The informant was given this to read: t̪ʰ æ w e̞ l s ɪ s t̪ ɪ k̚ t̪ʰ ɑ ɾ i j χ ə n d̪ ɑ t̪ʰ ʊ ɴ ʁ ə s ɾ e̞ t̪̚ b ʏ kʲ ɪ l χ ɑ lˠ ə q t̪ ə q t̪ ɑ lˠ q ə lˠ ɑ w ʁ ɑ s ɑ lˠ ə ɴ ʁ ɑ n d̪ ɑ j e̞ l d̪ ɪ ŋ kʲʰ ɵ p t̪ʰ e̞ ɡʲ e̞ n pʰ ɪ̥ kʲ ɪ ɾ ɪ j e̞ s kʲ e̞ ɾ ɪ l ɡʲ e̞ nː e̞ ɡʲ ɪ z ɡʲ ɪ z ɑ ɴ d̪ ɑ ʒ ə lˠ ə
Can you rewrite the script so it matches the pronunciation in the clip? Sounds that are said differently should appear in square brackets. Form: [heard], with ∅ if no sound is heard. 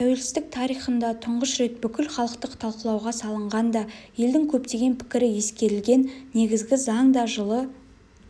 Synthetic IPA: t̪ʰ æ w e̞ l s ɪ [z] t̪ ɪ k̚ t̪ʰ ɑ ɾ i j χ ə n d̪ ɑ t̪ʰ ʊ ɴ ʁ ə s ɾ e̞ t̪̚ b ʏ kʲ ɪ l χ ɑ lˠ ə q t̪ ə q [t̪ʰ] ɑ lˠ q ə lˠ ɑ w ʁ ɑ s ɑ lˠ ə ɴ ʁ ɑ n d̪ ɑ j e̞ l d̪ ɪ ŋ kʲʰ ɵ p [t̪] e̞ ɡʲ e̞ n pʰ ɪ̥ kʲ ɪ ɾ ɪ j e̞ s kʲ e̞ ɾ ɪ l ɡʲ e̞ nː e̞ ɡʲ ɪ z ɡʲ ɪ z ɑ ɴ d̪ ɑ ʒ ə lˠ ə

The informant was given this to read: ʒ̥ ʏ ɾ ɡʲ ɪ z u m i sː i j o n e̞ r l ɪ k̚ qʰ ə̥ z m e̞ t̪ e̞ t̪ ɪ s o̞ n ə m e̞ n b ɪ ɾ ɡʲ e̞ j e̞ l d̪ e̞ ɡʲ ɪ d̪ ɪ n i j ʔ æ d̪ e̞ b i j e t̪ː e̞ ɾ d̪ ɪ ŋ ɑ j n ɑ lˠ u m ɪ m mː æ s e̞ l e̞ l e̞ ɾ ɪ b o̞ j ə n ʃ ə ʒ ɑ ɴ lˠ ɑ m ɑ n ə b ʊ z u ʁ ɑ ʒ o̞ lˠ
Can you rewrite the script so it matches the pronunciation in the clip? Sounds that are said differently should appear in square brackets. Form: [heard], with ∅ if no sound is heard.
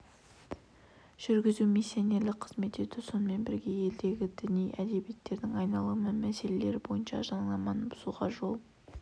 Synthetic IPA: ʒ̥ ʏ ɾ ɡʲ ɪ z u m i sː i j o n e̞ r l ɪ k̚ qʰ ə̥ z m e̞ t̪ e̞ t̪ ɪ s o̞ n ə m e̞ n b ɪ ɾ ɡʲ e̞ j e̞ l d̪ e̞ ɡʲ ɪ d̪ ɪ n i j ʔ æ d̪ e̞ b i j e t̪ː e̞ ɾ d̪ ɪ ŋ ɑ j n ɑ lˠ u m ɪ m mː æ s e̞ l e̞ l e̞ ɾ ɪ b o̞ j ə n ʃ [ɑ] ʒ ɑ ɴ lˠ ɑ m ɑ n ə b ʊ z u ʁ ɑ ʒ o̞ lˠ

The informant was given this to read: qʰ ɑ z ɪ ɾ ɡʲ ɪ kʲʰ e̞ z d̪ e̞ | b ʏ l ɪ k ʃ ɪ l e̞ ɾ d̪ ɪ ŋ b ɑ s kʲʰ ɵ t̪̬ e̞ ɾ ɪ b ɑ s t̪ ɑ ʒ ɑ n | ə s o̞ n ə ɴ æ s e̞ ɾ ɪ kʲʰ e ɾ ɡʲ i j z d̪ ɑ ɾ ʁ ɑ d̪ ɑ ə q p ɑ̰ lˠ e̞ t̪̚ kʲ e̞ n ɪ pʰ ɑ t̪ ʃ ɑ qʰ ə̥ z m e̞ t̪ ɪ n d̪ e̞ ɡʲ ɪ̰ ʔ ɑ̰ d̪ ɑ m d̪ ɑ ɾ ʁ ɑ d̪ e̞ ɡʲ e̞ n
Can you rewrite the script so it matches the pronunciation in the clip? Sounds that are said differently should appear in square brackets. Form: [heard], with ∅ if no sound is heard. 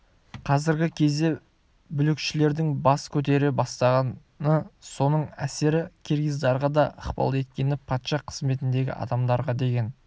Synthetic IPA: qʰ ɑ z ɪ ɾ ɡʲ ɪ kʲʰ e̞ z d̪ e̞ | b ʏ l ɪ k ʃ ɪ l e̞ ɾ d̪ ɪ ŋ b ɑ s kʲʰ ɵ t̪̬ e̞ ɾ ɪ b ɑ s t̪ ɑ [ʁ] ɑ n | ə s o̞ n ə ɴ æ s e̞ ɾ ɪ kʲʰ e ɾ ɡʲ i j z d̪ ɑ ɾ ʁ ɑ d̪ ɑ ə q p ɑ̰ lˠ e̞ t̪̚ kʲ e̞ n ɪ pʰ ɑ t̪ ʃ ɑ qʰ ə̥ z m e̞ t̪ ɪ n d̪ e̞ ɡʲ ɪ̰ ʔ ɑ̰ d̪ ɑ m d̪ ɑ ɾ ʁ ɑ d̪ e̞ ɡʲ e̞ n

